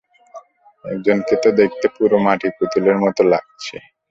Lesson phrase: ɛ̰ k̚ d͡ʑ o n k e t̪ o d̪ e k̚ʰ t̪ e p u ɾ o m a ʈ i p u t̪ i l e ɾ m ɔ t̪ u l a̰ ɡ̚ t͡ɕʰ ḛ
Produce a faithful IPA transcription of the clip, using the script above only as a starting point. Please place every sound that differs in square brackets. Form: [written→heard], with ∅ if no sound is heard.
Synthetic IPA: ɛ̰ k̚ d͡ʑ o n k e t̪ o d̪ e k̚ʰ t̪ e p u ɾ o m a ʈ i p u t̪ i l e ɾ m ɔ t̪ [u→o] l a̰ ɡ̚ t͡ɕʰ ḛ